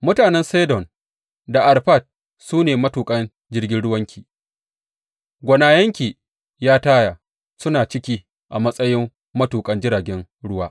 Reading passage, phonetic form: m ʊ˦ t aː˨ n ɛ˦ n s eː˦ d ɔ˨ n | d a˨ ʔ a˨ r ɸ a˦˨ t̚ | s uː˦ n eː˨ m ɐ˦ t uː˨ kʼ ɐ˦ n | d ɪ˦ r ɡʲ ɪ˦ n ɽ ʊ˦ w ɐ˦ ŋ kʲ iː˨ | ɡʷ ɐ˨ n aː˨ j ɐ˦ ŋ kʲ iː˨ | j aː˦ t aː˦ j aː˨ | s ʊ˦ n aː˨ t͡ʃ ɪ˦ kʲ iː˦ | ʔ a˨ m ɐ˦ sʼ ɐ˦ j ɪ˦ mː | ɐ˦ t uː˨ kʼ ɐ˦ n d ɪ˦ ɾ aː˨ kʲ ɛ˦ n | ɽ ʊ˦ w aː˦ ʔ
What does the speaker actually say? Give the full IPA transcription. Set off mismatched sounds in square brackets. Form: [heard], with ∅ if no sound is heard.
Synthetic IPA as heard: m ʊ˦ t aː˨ n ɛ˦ n s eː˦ d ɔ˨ n | d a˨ ʔ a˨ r ɸ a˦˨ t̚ | s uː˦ n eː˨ m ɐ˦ t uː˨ kʼ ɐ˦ n | [d͡ʒ] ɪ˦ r ɡʲ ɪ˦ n ɽ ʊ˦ w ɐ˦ ŋ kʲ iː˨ | ɡʷ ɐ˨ n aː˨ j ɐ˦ ŋ kʲ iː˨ | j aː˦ t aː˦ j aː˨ | s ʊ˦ n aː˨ t͡ʃ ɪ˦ kʲ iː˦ | ʔ a˨ m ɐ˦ sʼ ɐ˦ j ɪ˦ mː | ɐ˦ t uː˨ kʼ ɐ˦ n [d͡ʒ] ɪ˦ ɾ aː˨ [ɡʲ] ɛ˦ n | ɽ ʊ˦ w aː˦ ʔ